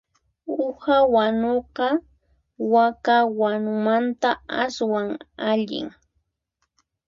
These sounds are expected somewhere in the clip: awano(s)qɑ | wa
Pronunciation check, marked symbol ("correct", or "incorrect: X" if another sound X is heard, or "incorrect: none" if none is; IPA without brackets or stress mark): incorrect: none